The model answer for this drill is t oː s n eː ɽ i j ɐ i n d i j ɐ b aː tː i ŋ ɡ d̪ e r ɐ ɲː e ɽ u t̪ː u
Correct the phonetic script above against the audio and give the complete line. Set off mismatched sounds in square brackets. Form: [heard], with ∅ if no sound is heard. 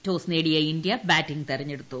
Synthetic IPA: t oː s n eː ɽ i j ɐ i n d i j ɐ b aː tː i ŋ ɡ [t̪] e r ɐ ɲː e ɽ u t̪ː u